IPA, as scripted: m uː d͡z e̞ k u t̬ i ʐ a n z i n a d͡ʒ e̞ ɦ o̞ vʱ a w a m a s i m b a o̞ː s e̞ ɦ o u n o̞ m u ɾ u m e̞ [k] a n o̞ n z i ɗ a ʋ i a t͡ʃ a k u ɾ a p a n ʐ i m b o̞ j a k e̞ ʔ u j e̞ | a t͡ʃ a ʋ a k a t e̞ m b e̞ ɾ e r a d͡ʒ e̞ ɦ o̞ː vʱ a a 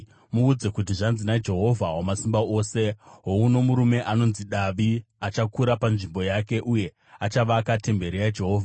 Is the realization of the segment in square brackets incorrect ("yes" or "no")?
yes